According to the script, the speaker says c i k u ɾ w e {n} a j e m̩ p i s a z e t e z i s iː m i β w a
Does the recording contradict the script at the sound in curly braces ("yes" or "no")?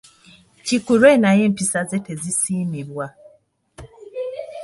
no